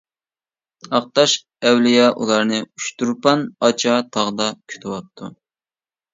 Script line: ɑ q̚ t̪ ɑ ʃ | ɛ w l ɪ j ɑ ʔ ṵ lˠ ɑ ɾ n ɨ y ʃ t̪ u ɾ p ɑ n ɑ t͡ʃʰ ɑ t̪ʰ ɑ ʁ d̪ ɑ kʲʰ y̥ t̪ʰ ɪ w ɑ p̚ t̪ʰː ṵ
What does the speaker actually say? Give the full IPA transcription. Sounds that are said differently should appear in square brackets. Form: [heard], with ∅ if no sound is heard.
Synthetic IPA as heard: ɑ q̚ t̪ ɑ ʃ | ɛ w l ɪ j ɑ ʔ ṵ lˠ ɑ ɾ n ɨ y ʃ t̪ u ɾ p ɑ n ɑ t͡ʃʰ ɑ t̪ʰ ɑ ʁ d̪ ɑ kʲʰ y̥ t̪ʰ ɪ w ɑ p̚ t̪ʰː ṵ